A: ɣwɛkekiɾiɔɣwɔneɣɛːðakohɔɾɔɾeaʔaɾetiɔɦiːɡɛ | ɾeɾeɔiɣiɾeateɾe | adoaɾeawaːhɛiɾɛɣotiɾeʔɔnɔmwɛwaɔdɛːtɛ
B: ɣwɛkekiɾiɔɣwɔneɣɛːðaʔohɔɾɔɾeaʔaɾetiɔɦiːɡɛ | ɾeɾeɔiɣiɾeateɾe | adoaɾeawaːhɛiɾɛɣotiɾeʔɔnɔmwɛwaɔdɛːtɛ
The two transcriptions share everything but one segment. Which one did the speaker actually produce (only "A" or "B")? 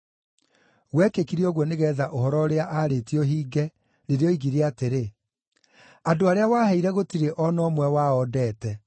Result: B